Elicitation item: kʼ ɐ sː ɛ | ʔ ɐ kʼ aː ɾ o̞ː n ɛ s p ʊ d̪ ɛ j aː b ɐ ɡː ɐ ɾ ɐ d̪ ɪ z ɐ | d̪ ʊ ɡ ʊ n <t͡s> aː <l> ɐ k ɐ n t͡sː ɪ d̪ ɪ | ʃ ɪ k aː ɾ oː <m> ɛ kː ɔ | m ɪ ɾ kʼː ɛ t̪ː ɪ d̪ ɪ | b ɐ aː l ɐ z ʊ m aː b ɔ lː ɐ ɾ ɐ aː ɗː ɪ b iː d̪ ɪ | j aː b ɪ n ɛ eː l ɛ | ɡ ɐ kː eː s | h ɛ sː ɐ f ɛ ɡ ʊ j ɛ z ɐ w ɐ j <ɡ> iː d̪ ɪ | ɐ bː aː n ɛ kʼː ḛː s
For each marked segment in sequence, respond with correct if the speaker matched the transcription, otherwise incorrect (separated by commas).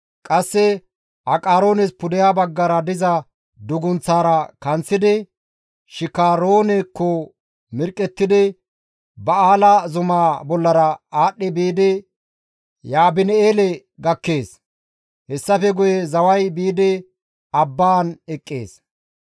correct, incorrect, incorrect, incorrect